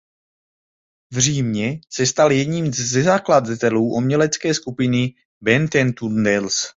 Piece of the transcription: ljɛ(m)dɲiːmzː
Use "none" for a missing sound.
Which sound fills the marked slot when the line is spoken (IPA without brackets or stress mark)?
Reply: none